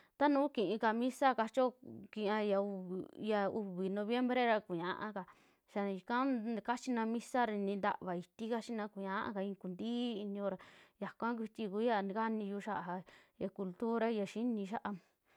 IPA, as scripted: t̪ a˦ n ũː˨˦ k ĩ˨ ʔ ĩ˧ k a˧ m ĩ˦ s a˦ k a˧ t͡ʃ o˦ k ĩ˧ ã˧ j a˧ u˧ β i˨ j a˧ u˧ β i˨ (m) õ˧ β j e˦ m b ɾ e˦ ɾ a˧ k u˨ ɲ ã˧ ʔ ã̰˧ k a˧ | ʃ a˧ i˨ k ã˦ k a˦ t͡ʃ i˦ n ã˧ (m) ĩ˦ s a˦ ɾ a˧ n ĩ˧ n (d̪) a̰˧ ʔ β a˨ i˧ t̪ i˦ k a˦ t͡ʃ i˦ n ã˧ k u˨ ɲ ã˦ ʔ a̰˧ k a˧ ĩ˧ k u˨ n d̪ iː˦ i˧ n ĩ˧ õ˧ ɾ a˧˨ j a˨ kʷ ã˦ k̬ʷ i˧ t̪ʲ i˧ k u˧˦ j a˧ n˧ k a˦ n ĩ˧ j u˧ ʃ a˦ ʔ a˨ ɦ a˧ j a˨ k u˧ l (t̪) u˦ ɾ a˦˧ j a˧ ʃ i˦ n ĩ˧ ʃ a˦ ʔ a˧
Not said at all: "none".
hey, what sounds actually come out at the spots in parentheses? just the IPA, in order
n, m, d̪, t̪

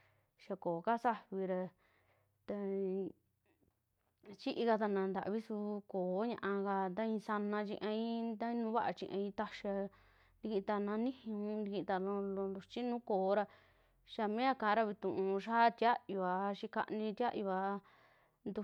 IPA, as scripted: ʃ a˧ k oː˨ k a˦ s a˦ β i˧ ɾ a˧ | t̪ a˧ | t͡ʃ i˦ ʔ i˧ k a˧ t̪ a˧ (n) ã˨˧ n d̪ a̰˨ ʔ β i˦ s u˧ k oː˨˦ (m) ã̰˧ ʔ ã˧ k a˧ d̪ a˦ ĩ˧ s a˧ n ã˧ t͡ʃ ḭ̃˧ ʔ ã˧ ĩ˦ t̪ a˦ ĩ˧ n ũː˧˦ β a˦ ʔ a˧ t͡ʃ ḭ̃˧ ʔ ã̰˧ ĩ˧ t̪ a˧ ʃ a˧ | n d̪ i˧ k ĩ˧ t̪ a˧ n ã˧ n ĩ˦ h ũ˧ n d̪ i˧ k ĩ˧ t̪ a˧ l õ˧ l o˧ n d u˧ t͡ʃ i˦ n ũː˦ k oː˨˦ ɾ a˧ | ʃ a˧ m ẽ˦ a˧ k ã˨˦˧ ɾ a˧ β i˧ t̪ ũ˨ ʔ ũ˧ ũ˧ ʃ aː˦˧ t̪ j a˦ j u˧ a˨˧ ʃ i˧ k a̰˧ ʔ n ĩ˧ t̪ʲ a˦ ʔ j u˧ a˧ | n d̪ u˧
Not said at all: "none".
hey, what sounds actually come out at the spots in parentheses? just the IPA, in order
n, ɲ

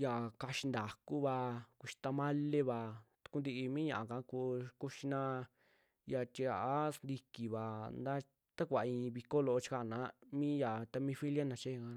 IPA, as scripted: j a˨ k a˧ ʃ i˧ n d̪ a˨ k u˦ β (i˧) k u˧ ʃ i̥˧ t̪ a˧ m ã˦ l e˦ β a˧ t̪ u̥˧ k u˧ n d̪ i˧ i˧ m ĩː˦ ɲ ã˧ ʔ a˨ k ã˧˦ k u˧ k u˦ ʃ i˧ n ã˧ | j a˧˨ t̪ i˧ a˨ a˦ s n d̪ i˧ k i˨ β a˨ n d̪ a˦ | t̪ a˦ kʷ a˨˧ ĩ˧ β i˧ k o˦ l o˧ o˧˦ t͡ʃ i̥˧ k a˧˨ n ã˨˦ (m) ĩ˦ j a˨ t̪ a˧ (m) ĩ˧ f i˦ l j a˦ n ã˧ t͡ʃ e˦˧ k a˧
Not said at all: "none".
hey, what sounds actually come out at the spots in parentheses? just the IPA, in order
a˧, m, m

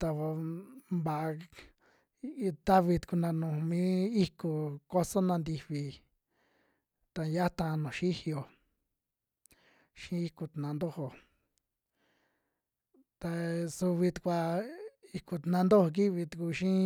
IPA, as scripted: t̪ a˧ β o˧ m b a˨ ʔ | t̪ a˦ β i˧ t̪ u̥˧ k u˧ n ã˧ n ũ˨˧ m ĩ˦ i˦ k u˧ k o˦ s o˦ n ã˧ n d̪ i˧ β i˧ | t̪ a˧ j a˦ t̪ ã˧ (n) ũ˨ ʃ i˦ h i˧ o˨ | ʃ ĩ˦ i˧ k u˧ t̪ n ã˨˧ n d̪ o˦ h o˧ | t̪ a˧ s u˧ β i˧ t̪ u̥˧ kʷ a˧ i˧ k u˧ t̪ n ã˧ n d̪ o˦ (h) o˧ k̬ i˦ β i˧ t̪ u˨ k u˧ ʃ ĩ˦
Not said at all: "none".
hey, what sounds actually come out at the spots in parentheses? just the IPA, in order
n, h

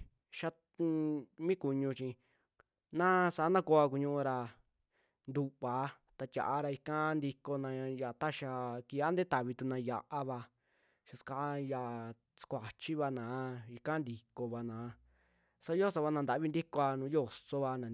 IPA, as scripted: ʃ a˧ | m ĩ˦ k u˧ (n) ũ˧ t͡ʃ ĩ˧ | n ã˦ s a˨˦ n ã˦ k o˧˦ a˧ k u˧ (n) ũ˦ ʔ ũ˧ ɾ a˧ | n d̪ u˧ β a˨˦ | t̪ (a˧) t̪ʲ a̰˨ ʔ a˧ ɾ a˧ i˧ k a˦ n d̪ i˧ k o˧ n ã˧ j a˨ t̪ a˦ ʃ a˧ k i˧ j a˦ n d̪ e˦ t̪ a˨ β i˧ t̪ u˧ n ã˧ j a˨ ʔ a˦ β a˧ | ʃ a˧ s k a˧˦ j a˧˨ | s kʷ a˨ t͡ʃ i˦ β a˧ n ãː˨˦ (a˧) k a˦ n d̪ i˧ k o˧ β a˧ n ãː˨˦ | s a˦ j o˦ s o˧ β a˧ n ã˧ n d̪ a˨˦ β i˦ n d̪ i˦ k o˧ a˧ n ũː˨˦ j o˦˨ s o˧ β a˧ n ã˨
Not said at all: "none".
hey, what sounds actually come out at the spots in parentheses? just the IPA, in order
ɲ, ɲ, a˧, i˧

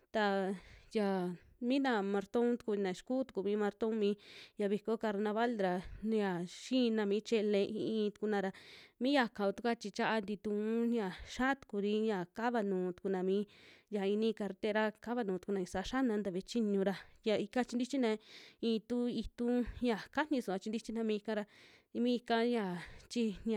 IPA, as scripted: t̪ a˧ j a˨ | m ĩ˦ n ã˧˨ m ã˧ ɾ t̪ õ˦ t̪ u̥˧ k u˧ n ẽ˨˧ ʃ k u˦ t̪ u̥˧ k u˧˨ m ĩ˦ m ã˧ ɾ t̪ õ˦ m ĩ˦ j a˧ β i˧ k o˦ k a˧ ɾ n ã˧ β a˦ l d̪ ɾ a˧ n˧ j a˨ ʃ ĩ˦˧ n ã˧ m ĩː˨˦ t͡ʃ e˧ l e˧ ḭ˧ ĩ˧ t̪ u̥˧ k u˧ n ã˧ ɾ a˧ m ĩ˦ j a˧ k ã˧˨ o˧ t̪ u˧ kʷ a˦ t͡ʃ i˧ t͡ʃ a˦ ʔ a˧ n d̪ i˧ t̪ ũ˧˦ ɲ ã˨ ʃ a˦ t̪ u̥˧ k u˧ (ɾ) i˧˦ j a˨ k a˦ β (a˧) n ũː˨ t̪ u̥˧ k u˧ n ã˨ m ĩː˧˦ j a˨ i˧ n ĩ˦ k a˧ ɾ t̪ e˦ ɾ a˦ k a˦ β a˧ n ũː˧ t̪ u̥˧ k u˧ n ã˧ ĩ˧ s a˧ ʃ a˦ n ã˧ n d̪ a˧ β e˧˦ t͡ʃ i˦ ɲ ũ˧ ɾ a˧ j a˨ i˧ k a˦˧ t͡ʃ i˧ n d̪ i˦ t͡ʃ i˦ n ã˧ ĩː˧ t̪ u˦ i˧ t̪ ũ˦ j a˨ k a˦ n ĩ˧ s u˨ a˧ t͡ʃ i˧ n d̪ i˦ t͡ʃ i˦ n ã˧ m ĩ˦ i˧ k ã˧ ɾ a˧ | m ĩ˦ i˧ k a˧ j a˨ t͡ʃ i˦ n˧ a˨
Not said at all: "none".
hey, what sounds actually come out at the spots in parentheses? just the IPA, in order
ɾ, a˧

